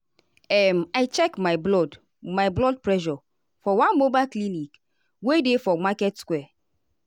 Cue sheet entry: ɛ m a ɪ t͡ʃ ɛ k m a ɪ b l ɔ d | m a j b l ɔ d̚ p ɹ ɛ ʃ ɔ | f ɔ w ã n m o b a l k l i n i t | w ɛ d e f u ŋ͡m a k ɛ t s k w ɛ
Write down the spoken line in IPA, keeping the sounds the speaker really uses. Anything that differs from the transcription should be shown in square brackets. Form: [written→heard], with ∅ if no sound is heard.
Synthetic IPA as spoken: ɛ m a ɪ t͡ʃ ɛ k m a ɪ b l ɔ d | m a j b l ɔ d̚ p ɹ ɛ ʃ ɔ | f ɔ w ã n m o b a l k l i n i [t→k] | w [ɛ→e] d e f [u→ɔ] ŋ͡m a k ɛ t s k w ɛ